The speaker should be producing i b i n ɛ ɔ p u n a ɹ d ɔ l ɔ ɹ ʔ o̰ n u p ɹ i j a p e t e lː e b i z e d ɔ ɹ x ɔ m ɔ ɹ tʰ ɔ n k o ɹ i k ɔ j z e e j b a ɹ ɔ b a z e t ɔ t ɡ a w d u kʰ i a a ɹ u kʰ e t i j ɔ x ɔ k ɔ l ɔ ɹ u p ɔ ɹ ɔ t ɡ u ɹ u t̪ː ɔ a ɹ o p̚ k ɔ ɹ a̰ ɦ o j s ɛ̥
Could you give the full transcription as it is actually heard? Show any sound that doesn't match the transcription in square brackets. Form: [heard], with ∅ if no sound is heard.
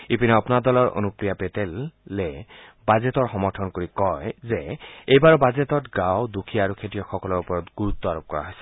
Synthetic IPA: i [p] i n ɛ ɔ p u n a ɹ d ɔ l ɔ ɹ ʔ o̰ n u p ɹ i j a p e t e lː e b [a] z e [t] ɔ ɹ x ɔ m ɔ ɹ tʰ ɔ n k o ɹ i k ɔ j z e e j b a ɹ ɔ b a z e t ɔ t ɡ a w d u kʰ i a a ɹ u kʰ e t i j ɔ x ɔ k ɔ l ɔ ɹ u p ɔ ɹ ɔ t ɡ u ɹ u t̪ː ɔ a ɹ o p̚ k ɔ ɹ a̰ ɦ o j s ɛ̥